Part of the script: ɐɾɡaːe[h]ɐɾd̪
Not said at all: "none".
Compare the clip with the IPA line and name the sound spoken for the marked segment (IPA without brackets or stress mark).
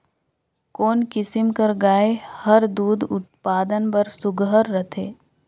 h